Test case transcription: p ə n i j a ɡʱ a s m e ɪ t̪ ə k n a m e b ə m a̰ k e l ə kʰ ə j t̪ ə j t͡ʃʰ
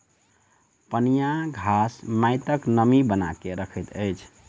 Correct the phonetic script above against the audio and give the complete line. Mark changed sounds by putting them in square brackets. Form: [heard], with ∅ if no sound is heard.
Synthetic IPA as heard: p ə n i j a ɡʱ a s m [a] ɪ t̪ ə k n [ə] m [i] b ə [n] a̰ k e [ɾ] ə kʰ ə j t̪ ə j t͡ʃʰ